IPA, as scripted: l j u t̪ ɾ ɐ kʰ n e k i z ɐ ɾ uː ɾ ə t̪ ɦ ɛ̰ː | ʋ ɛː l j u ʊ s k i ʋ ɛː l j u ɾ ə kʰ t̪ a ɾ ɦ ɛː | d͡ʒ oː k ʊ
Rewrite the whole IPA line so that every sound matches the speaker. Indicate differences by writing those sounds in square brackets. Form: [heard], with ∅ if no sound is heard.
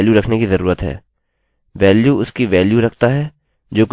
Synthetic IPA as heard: l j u [∅] ɾ ɐ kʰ n e k i z ɐ ɾ uː ɾ ə t̪ ɦ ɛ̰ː | ʋ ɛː l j u ʊ s k i ʋ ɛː l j u ɾ [ɐ] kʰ t̪ a [∅] ɦ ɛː | d͡ʒ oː k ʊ

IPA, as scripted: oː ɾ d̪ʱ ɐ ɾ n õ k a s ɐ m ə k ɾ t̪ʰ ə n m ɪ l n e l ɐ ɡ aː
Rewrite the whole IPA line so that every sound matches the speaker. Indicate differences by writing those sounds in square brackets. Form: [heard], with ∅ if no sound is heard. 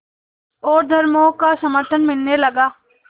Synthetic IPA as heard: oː ɾ d̪ʱ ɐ ɾ [m] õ k a s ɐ m ə [∅] ɾ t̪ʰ ə n m ɪ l n e l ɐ ɡ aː

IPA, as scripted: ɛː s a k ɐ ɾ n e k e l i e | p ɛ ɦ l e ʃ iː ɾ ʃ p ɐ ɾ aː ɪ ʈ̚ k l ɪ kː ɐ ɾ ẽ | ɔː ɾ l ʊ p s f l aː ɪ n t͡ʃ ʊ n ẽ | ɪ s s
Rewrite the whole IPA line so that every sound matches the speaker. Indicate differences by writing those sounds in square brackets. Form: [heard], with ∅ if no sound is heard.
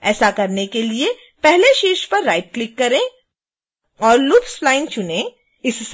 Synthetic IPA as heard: ɛː s a k ɐ ɾ n e k e l i e | p ɛ ɦ l e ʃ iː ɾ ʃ p ɐ [ɾː] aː ɪ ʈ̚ k l ɪ kː ɐ ɾ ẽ | ɔː ɾ l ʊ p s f l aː ɪ n t͡ʃ ʊ n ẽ | ɪ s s

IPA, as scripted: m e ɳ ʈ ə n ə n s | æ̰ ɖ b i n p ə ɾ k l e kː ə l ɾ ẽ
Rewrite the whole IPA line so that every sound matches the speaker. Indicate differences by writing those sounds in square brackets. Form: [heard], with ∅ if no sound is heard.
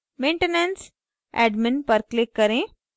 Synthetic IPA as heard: m e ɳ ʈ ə n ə n s | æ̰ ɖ [m] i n p ə ɾ k l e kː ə [∅] ɾ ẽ

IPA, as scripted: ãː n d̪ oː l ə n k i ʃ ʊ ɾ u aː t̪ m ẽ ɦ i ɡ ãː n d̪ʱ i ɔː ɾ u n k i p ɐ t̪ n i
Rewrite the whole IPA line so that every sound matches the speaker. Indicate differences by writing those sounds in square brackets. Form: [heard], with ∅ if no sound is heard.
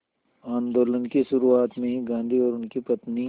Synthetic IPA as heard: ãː n d̪ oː l ə n k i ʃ ʊ ɾ u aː t̪ m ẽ ɦ i ɡ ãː n d̪ʱ i ɔː ɾ [ʊ] n k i p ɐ t̪ n i

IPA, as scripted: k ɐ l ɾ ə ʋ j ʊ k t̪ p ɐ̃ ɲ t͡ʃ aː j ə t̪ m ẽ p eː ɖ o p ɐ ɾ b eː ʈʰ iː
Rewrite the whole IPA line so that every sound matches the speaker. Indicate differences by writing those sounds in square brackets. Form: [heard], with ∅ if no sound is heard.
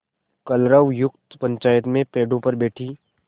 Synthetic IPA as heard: k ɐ l ɾ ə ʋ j ʊ k t̪ p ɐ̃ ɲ t͡ʃ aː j ə t̪ m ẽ p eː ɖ [õ] p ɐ ɾ b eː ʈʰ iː

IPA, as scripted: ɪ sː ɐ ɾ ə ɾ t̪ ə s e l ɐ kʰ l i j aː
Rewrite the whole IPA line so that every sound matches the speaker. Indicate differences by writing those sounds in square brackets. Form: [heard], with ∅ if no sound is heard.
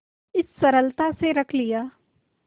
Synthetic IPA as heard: ɪ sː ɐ ɾ ə [l] t̪ [a] s e [ɾ] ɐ kʰ l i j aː

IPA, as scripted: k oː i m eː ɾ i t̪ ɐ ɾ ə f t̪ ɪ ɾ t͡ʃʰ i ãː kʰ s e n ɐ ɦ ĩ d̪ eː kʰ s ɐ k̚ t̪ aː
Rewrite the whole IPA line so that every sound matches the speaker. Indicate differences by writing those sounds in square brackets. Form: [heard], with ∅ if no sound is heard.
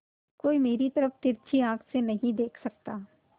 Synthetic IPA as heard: k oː i m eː ɾ i t̪ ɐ ɾ ə f t̪ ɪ ɾ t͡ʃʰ i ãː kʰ s e n ɐ ɦ ĩ d̪ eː kʰ s ɐ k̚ t̪ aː

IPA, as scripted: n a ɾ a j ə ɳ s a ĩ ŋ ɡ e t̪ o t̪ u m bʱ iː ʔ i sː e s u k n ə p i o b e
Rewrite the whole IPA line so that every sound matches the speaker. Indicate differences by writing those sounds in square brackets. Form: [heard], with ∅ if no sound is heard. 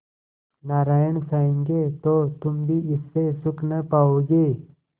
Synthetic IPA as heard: n a ɾ a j ə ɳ s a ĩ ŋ ɡ e t̪ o t̪ u m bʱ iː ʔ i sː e s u k n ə p [a] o [ɡ] e

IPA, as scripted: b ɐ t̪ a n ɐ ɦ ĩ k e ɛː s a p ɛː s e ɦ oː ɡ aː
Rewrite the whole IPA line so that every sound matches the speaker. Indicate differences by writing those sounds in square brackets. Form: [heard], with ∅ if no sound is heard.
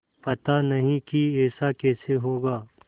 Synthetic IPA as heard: [p] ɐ t̪ a n ɐ ɦ ĩ k [i] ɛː s a [k] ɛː s e ɦ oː ɡ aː

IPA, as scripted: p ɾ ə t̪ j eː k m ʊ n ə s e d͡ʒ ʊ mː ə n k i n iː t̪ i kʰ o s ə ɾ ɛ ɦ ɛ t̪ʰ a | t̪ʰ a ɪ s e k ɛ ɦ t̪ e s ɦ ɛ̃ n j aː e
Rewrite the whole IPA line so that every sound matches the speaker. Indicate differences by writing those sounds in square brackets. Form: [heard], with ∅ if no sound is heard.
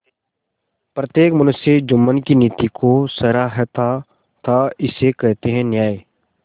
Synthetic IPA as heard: p ɾ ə t̪ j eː k m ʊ n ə s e d͡ʒ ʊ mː ə n k i n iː t̪ i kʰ o s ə ɾ [a] ɦ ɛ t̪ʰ a | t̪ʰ a ɪ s e k ɛ ɦ t̪ e [∅] ɦ ɛ̃ n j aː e

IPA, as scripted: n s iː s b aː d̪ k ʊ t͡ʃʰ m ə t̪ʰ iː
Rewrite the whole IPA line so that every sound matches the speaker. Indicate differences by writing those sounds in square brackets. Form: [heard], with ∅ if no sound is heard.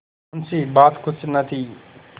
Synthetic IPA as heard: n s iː [∅] b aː [t̪] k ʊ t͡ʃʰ [n] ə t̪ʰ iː

